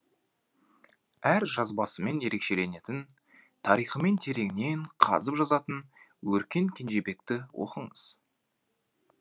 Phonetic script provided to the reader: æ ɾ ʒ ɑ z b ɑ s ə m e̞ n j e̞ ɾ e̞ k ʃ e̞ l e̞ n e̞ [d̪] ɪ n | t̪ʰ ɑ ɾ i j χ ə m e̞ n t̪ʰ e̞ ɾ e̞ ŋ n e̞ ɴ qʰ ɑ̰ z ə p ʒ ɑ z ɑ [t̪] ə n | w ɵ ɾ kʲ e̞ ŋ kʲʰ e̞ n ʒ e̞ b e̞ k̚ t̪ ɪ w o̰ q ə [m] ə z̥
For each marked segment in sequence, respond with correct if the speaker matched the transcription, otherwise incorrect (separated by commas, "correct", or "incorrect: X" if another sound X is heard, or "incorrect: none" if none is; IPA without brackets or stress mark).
incorrect: t̪, correct, incorrect: ɴ